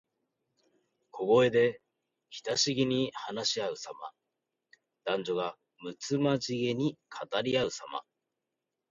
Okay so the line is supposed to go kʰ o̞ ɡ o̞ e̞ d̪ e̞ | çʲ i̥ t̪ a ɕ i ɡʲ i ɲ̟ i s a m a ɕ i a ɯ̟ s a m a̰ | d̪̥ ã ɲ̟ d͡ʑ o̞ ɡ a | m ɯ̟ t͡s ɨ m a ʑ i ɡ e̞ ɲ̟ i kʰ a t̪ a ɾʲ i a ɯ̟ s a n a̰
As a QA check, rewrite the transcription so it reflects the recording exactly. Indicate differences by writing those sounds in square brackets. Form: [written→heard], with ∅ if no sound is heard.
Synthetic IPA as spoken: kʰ o̞ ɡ o̞ e̞ d̪ e̞ | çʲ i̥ t̪ a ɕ i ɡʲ i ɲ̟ i [s→h] a [m→n] a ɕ i a ɯ̟ s a m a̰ | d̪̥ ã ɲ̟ d͡ʑ o̞ ɡ a | m ɯ̟ t͡s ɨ m a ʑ i ɡ e̞ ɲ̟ i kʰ a t̪ a ɾʲ i a ɯ̟ s a [n→m] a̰